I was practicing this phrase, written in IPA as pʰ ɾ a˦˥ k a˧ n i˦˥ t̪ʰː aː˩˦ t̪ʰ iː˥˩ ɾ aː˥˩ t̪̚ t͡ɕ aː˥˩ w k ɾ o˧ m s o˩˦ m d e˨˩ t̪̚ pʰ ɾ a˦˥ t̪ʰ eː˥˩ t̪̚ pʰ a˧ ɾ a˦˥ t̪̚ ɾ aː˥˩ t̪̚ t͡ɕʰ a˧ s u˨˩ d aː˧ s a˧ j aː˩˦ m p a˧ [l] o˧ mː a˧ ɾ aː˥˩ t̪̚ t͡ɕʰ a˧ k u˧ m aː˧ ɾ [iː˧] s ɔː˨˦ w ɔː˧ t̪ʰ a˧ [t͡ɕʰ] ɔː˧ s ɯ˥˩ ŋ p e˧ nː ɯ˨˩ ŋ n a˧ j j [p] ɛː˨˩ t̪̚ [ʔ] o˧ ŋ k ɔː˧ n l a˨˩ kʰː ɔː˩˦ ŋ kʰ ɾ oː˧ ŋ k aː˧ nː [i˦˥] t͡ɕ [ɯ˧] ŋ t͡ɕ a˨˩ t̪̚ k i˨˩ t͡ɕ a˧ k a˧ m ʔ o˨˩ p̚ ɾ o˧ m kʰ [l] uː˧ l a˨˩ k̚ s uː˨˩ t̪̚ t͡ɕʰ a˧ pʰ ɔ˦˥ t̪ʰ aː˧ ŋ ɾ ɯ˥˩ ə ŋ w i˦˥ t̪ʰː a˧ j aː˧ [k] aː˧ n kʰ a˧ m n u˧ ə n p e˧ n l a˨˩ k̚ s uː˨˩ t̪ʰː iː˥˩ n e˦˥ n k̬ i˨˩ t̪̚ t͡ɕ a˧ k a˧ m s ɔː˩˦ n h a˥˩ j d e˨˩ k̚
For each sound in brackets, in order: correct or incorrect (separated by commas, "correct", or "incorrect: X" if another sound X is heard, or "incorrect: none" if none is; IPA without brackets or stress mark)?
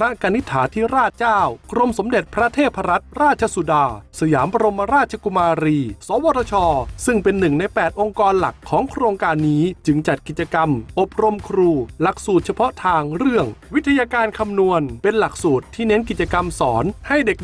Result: incorrect: ɾ, correct, correct, correct, correct, incorrect: iː˦˥, correct, incorrect: ɾ, correct